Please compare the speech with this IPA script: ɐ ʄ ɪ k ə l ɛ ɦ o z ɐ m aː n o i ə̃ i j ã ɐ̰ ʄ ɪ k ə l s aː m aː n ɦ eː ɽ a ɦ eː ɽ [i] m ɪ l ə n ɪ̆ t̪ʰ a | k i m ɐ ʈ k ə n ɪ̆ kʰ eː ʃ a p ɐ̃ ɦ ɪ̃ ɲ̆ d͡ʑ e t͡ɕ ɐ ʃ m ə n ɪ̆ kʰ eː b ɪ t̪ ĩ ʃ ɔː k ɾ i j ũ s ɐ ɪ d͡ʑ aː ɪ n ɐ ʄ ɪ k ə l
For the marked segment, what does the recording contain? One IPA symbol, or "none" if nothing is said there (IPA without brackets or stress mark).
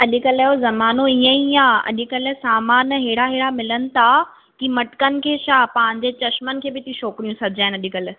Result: a